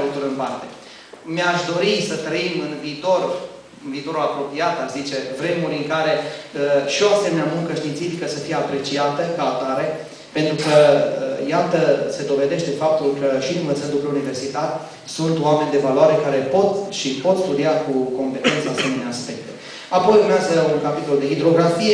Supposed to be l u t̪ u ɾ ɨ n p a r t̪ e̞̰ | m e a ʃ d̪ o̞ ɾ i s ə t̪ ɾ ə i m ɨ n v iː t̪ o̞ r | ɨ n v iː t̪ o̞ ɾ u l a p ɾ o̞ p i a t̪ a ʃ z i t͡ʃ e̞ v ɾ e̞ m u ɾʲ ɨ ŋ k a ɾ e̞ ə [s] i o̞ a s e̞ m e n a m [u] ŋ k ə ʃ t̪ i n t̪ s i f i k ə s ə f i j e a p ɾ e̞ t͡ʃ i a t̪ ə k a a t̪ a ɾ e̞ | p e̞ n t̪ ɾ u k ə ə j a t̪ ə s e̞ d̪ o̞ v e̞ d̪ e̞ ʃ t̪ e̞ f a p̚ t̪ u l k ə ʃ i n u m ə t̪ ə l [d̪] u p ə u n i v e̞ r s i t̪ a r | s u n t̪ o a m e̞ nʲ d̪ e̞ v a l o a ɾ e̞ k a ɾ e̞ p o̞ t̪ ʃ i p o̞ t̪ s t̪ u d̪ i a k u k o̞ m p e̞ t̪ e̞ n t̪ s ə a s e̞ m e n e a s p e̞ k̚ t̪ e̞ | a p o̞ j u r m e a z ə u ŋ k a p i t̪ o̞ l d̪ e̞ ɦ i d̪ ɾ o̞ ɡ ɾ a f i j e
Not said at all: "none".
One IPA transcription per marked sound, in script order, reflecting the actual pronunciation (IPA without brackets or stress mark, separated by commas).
ʃ, u, d̪